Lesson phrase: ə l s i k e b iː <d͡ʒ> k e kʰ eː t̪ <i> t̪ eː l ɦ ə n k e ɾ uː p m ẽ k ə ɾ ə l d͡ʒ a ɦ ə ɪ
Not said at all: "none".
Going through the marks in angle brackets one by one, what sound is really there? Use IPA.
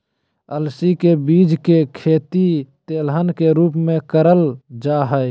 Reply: d͡ʒ, i

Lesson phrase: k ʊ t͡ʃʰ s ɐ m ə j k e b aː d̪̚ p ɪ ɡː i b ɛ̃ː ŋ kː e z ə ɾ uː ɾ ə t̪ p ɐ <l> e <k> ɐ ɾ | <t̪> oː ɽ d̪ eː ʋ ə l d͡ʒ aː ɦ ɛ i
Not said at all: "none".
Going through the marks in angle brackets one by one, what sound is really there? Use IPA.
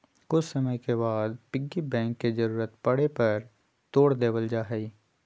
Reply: ɽ, p, t̪

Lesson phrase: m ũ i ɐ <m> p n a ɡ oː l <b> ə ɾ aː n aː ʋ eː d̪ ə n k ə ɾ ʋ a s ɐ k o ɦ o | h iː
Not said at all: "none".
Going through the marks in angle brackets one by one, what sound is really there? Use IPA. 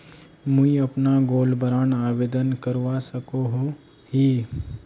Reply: none, b

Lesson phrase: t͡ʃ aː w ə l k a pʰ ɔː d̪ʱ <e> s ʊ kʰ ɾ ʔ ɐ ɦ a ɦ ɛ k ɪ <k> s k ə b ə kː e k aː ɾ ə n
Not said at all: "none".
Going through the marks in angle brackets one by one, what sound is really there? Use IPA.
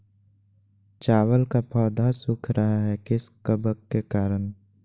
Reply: a, none

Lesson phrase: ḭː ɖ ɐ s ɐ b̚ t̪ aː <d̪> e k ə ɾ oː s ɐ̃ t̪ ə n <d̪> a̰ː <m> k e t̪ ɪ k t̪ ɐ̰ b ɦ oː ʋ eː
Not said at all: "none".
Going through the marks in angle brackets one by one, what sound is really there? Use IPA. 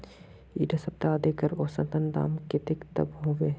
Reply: d̪, d̪, m

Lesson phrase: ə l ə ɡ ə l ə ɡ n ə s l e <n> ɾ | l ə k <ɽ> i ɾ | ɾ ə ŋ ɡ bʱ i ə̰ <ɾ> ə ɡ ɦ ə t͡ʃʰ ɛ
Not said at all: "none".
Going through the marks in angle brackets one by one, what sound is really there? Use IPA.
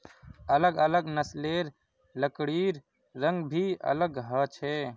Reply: none, ɽ, l

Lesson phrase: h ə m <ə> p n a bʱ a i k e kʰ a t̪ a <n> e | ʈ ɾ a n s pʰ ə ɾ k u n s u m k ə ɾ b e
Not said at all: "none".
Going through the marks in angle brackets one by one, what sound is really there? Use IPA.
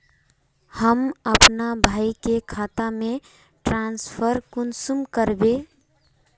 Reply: ə, m

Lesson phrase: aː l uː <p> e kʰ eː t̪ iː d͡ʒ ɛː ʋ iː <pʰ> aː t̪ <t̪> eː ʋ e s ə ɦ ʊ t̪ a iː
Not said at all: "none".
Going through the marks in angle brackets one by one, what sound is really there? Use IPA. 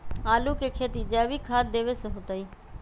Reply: k, kʰ, d̪

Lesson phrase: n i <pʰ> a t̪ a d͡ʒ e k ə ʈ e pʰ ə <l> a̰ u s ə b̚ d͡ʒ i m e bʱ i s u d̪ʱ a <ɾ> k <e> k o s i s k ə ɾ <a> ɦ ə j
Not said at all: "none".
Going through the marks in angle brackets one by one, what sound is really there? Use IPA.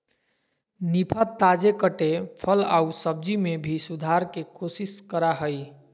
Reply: pʰ, l, ɾ, e, a

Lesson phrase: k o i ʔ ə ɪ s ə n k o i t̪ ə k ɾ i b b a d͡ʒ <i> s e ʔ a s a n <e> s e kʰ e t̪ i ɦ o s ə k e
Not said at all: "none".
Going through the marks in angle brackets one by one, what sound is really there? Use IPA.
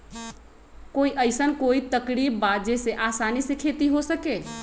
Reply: e, i

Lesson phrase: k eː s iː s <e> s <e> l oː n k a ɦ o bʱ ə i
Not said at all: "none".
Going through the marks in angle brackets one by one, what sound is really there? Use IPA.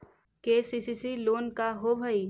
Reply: i, i

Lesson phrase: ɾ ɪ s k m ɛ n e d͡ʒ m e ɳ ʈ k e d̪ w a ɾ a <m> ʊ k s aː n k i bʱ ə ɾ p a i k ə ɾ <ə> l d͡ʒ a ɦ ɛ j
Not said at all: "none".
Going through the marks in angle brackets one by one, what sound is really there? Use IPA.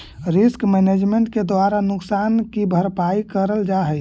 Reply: n, ə

